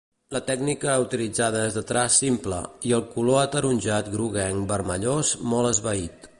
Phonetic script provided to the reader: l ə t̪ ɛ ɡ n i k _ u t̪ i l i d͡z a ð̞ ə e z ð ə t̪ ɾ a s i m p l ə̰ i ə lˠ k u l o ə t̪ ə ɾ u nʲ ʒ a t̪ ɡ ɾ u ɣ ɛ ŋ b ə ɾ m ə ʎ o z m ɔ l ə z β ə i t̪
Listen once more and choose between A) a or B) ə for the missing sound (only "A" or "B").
B